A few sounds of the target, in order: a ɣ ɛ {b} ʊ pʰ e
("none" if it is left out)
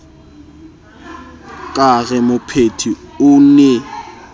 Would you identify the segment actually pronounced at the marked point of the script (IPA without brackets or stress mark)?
m